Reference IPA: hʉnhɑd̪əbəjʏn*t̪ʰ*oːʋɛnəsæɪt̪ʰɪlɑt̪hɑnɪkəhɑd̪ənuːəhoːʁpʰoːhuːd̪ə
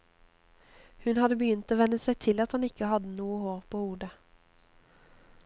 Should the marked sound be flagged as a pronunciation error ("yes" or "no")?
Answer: yes